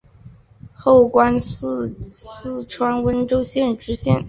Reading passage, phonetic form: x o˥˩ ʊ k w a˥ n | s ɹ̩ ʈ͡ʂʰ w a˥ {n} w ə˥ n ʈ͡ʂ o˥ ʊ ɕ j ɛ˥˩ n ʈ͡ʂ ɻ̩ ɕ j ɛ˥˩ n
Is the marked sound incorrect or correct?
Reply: correct